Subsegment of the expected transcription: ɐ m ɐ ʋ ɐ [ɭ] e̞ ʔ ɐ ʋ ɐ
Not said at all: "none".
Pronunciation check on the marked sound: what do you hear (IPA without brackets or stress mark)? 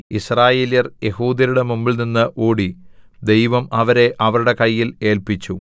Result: ɾ